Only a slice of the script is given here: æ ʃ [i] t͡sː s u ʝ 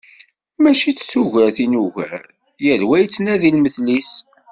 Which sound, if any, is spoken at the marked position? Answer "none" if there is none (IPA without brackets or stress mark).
i